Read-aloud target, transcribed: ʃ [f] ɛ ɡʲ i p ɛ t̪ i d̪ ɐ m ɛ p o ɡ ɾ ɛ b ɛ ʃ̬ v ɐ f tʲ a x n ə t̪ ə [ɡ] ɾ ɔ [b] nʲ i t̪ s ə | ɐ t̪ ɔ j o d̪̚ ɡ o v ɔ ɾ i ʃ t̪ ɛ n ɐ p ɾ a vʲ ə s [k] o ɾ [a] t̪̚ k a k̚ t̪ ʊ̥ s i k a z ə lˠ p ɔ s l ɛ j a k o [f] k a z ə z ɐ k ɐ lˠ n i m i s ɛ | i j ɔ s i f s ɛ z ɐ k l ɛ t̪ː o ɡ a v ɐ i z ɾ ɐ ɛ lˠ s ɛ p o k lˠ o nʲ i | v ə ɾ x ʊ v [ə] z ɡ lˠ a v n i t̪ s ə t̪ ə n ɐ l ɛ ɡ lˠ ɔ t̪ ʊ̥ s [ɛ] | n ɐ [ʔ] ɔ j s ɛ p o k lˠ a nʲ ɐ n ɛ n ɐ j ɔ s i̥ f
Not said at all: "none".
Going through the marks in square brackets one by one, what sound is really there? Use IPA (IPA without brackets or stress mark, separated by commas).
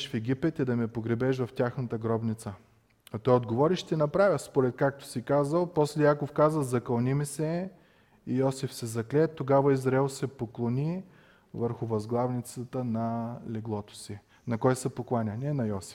f, ɡ, b, p, ɛ, f, ɐ, i, k